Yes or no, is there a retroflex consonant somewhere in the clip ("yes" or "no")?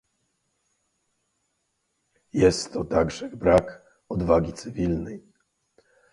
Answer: yes